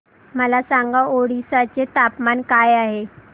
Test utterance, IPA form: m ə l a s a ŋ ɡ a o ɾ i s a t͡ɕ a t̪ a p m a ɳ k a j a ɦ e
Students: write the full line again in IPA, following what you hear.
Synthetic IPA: m ə l a s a ŋ ɡ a o ɽ i s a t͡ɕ e t̪ a p m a n k a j a ɦ e

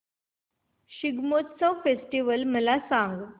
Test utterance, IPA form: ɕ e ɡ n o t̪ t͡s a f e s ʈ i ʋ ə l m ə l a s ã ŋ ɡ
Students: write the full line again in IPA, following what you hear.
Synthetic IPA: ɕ i ɡ m o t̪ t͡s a f e s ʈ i ʋ ə l m ə l a s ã ŋ ɡ

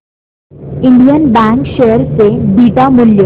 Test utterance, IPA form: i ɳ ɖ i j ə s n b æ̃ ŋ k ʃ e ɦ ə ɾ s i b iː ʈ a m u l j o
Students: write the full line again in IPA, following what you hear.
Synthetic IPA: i ɳ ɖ i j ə n b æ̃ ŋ k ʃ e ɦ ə ɾ s e b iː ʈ a m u l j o

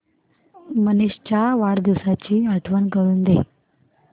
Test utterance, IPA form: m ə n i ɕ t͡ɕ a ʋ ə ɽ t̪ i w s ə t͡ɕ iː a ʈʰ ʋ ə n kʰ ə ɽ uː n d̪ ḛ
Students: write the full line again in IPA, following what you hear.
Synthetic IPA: m ə n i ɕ t͡ɕ a ʋ a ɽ d̪ i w s a t͡ɕ iː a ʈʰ ʋ ə n k ə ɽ uː n d̪ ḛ

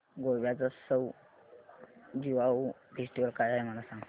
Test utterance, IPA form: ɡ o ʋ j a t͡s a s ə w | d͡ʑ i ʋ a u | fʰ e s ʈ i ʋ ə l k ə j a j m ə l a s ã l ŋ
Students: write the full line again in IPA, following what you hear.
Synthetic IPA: ɡ o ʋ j a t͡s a s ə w | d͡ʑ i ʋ a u | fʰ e s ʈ i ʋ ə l k a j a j m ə l a s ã ŋ

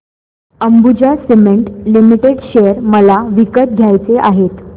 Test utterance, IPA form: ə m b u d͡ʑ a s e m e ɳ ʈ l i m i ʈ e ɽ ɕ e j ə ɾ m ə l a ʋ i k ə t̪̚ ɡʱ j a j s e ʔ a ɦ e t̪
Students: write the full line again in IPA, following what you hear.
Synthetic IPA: ə m b u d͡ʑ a s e m e ɳ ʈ l i m i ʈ e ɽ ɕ e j ə ɾ m ə l a ʋ i k ə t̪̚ ɡʱ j a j t͡s e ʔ a ɦ e t̪

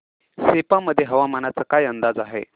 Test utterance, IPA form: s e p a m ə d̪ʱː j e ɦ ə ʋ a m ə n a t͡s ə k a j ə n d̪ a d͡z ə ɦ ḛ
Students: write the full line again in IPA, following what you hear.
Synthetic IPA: s e p a m ə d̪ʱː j e ɦ ə ʋ a m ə n a t͡s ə k a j ə n d̪ a d͡z a ɦ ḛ

